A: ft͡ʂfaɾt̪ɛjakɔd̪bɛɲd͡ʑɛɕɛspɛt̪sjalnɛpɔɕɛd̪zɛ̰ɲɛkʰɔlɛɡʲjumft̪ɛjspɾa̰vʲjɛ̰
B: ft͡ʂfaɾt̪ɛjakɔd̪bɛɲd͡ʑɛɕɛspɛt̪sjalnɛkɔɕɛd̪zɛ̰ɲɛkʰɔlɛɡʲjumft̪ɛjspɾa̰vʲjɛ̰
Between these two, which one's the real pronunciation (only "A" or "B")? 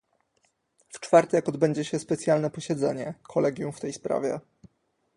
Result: A